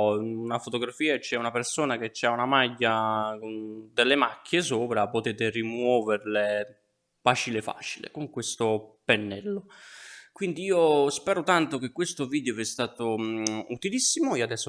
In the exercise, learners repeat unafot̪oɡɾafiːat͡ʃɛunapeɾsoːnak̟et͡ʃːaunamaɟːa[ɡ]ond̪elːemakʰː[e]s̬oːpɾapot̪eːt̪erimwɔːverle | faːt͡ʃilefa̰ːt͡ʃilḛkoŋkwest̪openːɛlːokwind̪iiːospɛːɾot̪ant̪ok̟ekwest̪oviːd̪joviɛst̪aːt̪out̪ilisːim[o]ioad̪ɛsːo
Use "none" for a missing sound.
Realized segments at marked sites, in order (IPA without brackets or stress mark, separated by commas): k, e, o